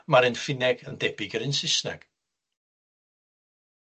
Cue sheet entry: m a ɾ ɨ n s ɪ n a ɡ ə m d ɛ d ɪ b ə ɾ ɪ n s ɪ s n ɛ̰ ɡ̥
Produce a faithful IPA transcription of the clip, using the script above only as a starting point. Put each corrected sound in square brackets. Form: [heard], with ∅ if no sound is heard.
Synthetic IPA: m a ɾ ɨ n [f] ɪ n [ɛ] ɡ ə [n] d ɛ [b] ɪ [ɡ] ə ɾ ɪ n s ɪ s n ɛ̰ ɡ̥